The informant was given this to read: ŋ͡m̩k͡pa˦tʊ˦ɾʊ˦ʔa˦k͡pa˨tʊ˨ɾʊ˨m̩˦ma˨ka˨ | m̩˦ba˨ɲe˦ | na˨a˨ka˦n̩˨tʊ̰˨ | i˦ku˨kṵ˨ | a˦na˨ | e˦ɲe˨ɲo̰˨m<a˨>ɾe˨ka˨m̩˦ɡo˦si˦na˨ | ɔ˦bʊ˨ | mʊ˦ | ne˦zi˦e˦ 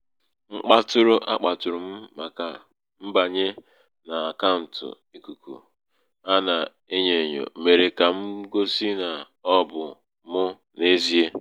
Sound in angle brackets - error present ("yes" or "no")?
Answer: yes